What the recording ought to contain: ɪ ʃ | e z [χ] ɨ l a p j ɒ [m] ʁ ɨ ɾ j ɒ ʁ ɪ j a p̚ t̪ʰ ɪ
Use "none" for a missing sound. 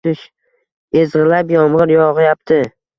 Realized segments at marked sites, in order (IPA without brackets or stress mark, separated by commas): ʁ, m